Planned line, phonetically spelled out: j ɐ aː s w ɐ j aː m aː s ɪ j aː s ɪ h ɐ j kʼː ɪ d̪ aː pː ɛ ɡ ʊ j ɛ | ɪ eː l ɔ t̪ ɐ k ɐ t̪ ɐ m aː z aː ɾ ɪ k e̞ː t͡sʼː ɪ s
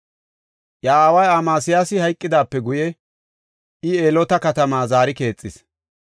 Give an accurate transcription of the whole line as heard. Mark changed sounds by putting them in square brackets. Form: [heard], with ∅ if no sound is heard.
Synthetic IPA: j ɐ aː [∅] w ɐ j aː m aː s ɪ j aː s ɪ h ɐ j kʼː ɪ d̪ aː pː ɛ ɡ ʊ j ɛ | ɪ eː l ɔ t̪ ɐ k ɐ t̪ ɐ m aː z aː ɾ ɪ k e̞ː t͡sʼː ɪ s